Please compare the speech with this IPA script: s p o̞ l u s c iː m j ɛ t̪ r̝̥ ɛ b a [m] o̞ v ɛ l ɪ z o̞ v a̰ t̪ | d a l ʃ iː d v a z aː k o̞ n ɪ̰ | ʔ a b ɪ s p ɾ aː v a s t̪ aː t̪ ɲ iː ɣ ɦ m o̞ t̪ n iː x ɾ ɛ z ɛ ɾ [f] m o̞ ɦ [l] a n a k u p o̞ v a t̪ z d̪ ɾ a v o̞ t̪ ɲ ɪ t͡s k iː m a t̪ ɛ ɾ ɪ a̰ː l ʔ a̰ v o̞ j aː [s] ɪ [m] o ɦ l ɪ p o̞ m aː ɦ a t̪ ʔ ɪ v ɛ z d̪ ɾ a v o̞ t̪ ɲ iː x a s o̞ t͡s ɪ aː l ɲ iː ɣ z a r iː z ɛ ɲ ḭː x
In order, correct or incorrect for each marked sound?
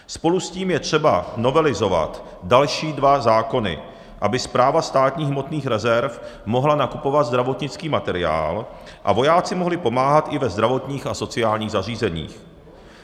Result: incorrect, correct, correct, incorrect, correct

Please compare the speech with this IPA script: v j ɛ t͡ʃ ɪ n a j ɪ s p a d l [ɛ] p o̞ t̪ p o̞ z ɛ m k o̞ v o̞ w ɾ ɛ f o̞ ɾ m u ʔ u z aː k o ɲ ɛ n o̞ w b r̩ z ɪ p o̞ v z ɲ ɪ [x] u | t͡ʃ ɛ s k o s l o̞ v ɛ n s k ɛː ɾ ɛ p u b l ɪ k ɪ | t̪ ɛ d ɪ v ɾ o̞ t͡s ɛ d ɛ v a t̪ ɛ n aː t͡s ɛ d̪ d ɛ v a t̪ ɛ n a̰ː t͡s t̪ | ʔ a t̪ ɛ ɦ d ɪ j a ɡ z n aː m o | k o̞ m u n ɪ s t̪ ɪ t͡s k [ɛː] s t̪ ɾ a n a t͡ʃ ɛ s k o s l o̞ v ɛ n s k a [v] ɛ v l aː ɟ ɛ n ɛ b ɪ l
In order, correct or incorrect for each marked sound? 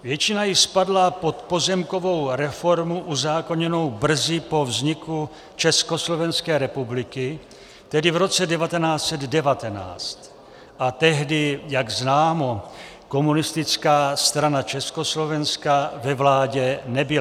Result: incorrect, incorrect, incorrect, correct

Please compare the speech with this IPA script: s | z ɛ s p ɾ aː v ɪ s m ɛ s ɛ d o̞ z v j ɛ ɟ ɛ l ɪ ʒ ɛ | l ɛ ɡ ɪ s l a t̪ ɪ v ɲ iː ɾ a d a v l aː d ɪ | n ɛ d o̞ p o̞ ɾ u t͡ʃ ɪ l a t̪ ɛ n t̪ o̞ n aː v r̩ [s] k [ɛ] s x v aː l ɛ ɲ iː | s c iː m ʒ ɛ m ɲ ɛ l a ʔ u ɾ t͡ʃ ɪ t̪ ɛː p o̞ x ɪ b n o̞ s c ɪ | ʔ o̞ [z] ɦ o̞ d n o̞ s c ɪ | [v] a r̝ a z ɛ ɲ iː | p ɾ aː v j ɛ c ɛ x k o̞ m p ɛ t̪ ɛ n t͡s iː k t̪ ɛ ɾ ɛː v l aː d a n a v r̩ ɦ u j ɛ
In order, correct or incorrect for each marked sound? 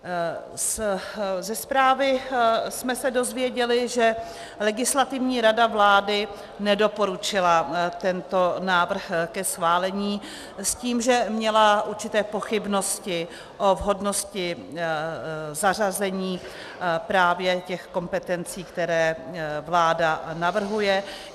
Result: incorrect, correct, incorrect, incorrect

